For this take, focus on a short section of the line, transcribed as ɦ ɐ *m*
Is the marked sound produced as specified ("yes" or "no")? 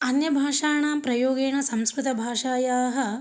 no